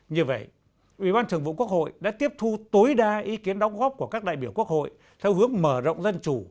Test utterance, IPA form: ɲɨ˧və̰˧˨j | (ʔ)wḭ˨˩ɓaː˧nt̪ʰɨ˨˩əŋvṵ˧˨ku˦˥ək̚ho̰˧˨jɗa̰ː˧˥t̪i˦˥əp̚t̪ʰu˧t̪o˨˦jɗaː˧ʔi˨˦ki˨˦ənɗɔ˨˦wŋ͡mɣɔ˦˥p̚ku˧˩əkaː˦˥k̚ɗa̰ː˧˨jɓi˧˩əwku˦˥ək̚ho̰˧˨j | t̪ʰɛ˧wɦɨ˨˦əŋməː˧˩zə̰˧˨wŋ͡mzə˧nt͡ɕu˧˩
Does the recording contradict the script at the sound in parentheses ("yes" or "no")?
no